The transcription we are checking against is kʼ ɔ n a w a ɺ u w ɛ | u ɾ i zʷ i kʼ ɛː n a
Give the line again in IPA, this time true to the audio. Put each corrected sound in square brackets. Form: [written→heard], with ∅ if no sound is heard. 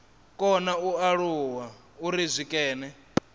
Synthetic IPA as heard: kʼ ɔ n a [w→u] a ɺ u w [ɛ→a] | u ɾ i zʷ i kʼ ɛː n [a→ɛ]